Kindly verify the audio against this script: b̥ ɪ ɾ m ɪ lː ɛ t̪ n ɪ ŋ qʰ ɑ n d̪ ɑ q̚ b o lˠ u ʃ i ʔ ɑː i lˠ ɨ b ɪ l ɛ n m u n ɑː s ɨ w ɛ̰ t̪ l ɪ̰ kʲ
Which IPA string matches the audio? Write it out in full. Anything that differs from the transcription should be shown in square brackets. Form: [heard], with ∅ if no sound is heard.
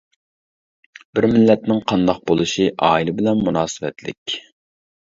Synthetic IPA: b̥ ɪ ɾ m ɪ lː ɛ t̪ n ɪ ŋ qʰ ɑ n d̪ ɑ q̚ b o lˠ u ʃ i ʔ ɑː i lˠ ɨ b ɪ l ɛ n m u n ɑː s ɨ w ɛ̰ t̪ l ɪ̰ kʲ